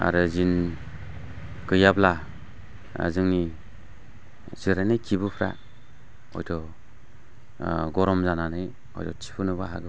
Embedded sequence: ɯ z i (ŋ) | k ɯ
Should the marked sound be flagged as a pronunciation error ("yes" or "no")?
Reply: yes